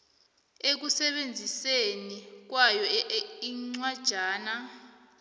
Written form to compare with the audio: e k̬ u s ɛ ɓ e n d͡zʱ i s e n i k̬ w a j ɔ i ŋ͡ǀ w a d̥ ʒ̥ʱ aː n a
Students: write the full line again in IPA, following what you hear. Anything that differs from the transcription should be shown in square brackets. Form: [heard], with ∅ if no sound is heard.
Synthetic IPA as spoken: e k̬ u s ɛ ɓ e n d͡zʱ i s e n i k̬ w a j ɔ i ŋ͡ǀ w a d̥ ʒ̥ʱ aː n a